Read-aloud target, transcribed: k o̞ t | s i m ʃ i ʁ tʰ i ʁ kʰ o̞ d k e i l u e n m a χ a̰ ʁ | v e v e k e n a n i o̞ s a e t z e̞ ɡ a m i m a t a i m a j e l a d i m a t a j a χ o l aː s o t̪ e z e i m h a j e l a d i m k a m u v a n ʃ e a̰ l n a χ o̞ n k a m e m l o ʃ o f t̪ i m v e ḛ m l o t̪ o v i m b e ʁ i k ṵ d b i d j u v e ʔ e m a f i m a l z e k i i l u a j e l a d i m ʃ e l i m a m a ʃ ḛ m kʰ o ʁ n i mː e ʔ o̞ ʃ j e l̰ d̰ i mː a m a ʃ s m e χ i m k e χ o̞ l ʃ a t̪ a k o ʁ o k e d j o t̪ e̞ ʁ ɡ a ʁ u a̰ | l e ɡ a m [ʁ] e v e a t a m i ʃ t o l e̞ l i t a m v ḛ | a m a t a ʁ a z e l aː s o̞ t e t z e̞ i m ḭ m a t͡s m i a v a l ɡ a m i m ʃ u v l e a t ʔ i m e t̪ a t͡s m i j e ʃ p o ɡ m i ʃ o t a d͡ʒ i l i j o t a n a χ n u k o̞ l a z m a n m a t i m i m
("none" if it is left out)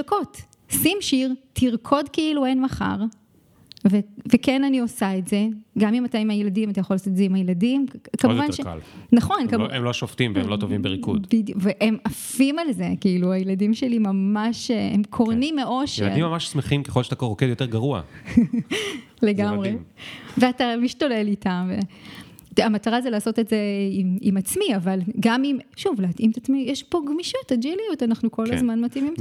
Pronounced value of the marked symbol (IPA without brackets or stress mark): ʁ